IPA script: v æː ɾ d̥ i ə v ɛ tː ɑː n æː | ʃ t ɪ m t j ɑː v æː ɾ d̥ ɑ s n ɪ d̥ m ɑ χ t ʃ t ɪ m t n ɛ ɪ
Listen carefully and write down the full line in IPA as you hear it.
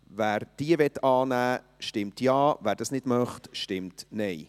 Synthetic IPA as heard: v æː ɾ d̥ i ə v ɛ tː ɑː n æː | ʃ t ɪ m t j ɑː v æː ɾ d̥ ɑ s n ɪ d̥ m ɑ χ t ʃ t ɪ m t n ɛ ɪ